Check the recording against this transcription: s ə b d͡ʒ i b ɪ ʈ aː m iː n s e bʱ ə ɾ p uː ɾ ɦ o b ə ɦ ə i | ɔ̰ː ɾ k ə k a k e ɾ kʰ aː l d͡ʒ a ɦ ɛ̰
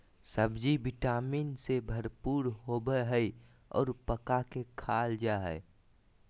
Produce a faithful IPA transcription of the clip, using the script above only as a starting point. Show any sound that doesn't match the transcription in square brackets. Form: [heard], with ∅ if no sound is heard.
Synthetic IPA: s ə b d͡ʒ i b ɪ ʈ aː m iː n s e bʱ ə ɾ p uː ɾ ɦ o b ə ɦ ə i | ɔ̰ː ɾ [p] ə k a k e [∅] kʰ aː l d͡ʒ a ɦ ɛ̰